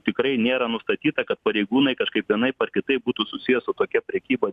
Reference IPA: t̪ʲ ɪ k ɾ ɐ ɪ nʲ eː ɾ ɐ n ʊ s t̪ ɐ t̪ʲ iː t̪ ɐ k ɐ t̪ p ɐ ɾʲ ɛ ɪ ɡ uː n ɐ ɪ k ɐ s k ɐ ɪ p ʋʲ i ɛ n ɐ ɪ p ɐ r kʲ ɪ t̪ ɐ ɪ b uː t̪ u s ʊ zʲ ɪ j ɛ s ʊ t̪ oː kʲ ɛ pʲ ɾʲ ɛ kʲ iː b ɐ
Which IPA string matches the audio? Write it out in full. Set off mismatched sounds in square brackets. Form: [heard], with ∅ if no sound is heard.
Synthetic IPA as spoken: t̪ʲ ɪ k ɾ ɐ ɪ nʲ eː ɾ ɐ n ʊ s t̪ ɐ t̪ʲ iː t̪ ɐ k ɐ t̪ p ɐ ɾʲ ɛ ɪ ɡ uː n ɐ ɪ k ɐ [ʃ] k ɐ ɪ p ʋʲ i ɛ n ɐ ɪ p ɐ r kʲ ɪ t̪ ɐ ɪ b uː t̪ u s ʊ [sʲ] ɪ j ɛ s ʊ t̪ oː kʲ ɛ pʲ ɾʲ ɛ kʲ iː b ɐ